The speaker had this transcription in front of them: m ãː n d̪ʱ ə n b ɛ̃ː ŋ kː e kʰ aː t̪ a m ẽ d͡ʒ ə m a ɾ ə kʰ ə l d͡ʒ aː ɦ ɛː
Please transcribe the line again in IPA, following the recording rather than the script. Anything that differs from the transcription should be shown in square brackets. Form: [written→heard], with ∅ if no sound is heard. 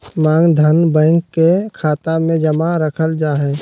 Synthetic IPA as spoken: m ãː [n→ŋ] d̪ʱ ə n b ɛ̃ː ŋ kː e kʰ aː t̪ a m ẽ d͡ʒ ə m a ɾ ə kʰ ə l d͡ʒ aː ɦ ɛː